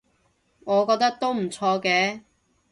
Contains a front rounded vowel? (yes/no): no